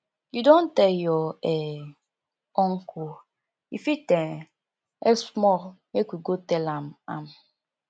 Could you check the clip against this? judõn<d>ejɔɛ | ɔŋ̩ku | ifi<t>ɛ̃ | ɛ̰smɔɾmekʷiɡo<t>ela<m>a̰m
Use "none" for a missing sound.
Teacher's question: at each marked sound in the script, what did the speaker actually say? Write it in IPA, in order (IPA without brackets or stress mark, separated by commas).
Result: t, t, t, m